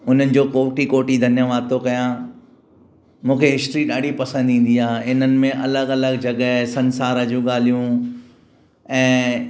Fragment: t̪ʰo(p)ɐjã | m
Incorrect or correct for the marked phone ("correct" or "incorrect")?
incorrect